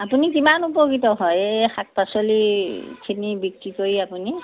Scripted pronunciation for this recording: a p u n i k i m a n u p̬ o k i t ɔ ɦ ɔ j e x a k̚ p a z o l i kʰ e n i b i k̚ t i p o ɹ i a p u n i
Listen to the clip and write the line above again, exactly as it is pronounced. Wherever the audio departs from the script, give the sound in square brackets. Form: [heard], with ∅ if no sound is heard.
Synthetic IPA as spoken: a p u n i k i m a n u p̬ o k i t ɔ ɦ ɔ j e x a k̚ p a [s] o l i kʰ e n i b i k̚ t i [k] o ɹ i a p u n i